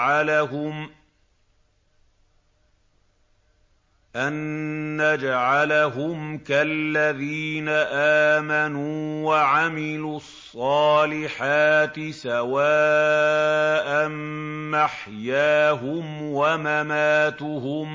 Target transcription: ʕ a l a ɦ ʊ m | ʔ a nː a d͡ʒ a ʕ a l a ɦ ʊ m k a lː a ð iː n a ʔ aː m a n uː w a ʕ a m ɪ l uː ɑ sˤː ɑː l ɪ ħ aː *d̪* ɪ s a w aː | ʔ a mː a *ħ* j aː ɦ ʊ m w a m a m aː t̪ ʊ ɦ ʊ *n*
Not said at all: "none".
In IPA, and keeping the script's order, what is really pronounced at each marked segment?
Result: t̪, ħ, m

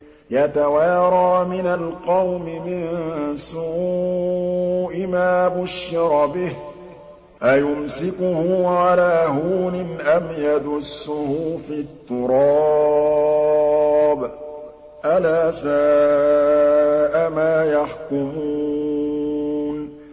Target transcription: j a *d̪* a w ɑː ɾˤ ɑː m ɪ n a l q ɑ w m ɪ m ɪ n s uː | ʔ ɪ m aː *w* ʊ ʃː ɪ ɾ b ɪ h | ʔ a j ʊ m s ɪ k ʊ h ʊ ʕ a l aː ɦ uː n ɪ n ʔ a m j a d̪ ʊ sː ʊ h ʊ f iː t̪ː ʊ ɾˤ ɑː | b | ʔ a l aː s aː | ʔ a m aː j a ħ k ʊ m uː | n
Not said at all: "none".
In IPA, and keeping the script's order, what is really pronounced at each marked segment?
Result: t̪, b

